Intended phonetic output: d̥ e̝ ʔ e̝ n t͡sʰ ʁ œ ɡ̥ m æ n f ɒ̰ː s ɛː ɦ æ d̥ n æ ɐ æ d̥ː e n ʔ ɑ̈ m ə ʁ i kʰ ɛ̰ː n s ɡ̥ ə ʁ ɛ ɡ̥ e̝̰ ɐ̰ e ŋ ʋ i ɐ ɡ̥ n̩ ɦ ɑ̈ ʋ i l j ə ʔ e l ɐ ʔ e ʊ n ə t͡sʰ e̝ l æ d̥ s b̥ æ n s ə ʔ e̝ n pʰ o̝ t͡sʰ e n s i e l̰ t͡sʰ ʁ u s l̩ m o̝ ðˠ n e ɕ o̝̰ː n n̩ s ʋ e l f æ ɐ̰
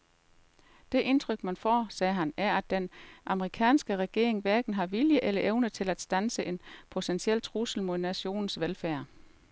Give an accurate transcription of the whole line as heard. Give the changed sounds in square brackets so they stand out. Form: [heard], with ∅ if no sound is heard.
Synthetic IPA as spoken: d̥ e̝ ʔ e̝ n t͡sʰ ʁ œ ɡ̥ m æ n f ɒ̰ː s ɛː ɦ æ [∅] n æ ɐ æ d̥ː e n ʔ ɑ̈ m ə ʁ i kʰ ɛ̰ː n s ɡ̥ ə ʁ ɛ ɡ̥ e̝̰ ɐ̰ e ŋ ʋ [æ] ɐ ɡ̥ n̩ ɦ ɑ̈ ʋ i l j ə ʔ e l ɐ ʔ e ʊ n ə t͡sʰ e̝ l æ d̥ s [d̥] æ n s ə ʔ e̝ n pʰ o̝ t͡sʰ e n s i e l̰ t͡sʰ ʁ u s l̩ m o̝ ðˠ n [æ] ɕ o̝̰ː n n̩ s ʋ e l f æ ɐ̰